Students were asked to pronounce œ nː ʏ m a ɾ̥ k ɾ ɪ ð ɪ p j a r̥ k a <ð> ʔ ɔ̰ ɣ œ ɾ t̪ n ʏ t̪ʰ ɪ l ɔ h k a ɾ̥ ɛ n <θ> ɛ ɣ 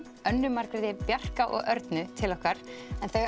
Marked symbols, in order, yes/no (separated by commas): no, yes